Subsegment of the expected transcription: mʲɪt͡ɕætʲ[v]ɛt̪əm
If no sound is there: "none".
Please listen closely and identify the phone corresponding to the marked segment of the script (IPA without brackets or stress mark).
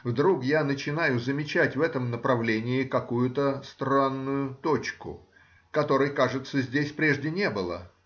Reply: v